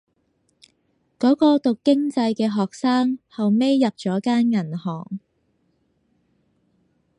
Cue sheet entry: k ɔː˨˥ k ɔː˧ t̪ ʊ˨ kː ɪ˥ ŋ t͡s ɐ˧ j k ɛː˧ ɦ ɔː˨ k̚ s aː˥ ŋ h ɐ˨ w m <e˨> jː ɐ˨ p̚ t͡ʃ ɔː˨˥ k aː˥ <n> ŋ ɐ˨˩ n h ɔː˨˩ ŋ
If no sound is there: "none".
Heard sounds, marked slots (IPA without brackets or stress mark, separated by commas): e˥, n